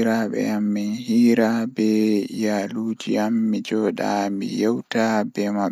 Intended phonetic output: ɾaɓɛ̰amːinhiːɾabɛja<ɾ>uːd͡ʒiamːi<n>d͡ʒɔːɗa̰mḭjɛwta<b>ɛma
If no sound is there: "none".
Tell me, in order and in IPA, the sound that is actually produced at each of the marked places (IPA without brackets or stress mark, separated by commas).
l, none, b